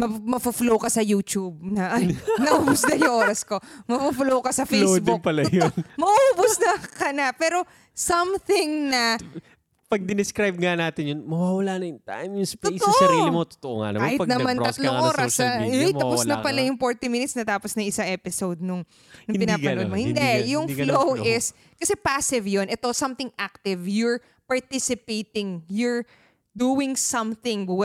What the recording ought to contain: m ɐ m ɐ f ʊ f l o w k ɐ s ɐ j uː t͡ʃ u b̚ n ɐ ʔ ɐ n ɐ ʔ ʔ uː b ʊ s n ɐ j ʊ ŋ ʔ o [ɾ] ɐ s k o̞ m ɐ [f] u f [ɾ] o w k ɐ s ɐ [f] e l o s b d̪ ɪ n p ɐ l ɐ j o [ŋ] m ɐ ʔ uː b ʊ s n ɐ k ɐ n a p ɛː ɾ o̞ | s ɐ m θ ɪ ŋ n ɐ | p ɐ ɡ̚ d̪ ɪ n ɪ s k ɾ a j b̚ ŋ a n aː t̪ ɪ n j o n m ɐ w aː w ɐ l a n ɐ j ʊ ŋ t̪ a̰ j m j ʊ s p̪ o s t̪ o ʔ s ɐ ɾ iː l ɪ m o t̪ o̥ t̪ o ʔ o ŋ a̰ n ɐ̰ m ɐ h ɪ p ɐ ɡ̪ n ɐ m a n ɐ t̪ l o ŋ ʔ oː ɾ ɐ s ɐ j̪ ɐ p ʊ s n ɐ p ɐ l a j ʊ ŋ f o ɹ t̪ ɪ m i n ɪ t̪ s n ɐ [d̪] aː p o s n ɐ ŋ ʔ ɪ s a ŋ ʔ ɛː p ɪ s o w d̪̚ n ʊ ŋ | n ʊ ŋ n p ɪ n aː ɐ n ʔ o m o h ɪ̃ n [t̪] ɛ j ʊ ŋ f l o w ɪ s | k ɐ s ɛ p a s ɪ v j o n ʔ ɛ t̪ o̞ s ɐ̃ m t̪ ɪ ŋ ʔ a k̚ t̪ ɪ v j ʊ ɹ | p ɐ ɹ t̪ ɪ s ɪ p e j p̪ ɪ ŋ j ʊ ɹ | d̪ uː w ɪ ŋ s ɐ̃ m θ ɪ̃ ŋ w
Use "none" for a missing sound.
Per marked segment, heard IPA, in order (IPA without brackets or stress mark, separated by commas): ɾ, f, l, f, n, t̪, d̪